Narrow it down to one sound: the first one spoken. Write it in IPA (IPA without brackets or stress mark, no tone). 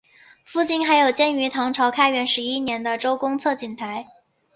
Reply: f